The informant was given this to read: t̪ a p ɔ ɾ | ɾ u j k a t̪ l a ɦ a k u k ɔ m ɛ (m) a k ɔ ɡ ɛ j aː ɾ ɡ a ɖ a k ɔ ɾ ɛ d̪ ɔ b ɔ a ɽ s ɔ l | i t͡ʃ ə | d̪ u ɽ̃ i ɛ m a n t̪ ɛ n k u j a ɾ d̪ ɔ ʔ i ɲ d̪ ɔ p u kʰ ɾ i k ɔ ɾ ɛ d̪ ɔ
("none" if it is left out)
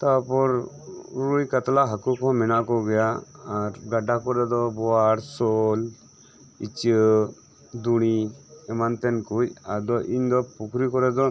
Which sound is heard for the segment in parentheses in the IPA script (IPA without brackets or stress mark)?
n